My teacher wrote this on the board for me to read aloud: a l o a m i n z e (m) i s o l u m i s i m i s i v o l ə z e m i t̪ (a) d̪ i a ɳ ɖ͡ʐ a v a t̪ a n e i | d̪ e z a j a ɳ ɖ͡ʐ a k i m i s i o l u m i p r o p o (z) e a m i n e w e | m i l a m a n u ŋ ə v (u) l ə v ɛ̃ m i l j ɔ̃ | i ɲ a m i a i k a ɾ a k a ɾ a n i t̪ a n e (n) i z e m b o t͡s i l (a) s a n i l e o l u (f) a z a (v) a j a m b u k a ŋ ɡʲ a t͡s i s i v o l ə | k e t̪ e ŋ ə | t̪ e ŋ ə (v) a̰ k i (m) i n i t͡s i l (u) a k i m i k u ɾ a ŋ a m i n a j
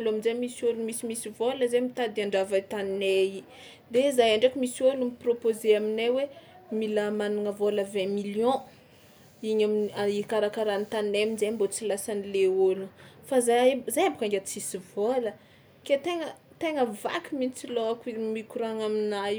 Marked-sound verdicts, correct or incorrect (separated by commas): correct, correct, correct, incorrect, incorrect, correct, correct, incorrect, correct, correct, incorrect